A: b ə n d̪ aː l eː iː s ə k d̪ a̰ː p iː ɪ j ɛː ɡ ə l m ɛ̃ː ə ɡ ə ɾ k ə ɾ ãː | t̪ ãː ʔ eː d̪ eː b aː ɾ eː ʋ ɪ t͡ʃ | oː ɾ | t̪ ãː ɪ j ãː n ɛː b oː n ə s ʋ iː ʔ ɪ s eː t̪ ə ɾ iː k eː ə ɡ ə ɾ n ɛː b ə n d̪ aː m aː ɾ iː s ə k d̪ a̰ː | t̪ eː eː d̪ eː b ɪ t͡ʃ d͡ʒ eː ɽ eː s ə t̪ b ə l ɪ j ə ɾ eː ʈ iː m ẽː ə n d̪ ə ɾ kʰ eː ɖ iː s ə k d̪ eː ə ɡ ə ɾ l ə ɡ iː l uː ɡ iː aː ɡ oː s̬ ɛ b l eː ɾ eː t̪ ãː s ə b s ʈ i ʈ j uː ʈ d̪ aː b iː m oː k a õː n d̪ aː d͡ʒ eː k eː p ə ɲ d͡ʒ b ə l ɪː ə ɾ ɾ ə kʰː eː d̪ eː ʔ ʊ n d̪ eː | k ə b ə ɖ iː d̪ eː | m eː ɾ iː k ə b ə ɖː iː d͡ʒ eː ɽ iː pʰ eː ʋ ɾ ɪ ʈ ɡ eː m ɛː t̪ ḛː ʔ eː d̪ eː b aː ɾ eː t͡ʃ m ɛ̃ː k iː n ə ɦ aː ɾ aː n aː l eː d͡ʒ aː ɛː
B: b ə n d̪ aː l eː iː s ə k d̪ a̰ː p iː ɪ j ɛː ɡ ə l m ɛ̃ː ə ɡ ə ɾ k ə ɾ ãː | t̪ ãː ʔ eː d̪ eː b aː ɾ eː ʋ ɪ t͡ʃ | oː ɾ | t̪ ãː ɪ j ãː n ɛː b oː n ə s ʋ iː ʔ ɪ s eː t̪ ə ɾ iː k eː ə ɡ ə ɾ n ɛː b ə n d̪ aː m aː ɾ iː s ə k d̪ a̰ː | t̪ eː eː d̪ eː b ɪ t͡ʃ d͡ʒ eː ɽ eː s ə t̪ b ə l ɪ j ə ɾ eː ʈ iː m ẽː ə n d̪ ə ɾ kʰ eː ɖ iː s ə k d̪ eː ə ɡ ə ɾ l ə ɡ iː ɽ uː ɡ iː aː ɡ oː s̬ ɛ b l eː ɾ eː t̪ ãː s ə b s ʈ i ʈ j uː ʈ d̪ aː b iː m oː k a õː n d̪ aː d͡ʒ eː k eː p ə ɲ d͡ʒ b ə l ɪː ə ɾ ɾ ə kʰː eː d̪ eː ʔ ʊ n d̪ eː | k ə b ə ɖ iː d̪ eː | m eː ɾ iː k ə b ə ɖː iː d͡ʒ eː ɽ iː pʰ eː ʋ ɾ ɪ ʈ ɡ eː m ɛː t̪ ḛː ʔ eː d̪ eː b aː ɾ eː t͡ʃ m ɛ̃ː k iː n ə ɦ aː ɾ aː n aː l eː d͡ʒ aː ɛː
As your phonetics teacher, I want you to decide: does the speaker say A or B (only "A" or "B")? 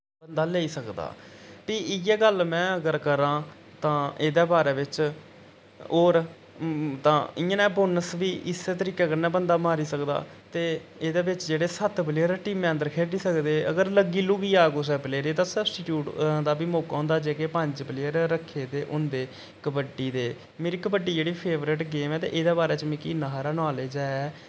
A